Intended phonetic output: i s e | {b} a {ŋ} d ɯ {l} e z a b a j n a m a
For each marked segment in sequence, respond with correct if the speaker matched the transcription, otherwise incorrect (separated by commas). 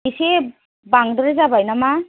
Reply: correct, correct, incorrect